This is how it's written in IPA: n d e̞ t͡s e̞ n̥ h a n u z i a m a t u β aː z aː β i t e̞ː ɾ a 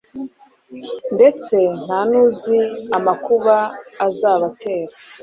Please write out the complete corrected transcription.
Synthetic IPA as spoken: n d e̞ t͡s e̞ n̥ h a n u z i a m a k u β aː z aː β a t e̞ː ɾ a